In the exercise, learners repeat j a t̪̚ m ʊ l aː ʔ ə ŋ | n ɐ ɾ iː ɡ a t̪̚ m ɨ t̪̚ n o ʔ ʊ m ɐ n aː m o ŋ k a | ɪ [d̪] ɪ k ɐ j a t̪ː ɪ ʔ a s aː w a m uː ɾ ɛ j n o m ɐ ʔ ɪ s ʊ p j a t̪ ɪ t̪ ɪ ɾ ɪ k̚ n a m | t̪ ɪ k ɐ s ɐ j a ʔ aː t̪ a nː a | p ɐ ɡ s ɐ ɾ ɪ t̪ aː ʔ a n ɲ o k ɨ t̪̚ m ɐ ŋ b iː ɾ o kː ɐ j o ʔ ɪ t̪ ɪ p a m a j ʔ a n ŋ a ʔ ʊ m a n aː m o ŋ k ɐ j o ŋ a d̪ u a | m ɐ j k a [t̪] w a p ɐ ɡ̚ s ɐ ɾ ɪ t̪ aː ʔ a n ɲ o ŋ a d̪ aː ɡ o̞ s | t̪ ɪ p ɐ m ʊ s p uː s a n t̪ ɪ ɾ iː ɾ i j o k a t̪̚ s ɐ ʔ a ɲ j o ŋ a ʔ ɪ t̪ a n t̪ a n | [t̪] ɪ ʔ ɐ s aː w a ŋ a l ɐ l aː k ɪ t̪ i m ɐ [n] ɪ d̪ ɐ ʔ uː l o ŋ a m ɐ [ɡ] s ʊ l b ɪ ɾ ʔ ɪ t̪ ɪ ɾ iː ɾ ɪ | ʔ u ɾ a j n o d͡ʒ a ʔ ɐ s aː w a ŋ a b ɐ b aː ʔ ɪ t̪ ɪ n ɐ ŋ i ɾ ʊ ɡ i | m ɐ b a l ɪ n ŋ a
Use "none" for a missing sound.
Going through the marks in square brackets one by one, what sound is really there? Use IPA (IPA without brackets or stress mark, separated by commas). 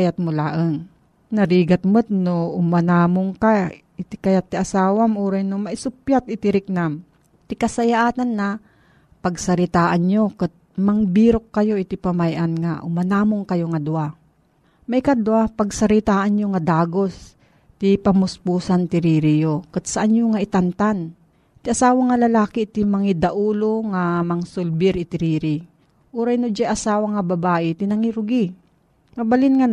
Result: t̪, d̪, t̪, ŋ, ŋ